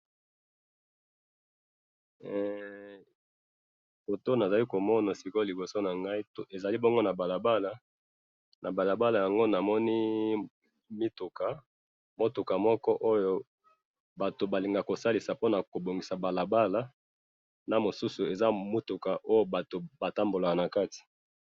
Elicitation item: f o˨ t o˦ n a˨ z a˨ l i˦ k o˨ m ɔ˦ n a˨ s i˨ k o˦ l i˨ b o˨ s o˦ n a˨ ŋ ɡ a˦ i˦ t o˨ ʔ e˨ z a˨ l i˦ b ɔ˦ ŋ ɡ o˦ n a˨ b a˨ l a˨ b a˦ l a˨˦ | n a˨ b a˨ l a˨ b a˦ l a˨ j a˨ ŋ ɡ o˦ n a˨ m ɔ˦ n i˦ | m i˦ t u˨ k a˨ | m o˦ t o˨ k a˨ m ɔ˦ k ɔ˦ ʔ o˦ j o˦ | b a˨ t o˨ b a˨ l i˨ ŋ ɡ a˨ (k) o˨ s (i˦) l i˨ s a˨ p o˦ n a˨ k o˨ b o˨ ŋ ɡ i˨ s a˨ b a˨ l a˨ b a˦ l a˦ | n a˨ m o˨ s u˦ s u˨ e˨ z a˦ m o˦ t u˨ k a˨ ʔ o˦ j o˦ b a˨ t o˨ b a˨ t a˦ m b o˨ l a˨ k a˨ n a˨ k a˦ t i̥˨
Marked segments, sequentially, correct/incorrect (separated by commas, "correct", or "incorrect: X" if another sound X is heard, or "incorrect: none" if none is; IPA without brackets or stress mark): correct, incorrect: a˦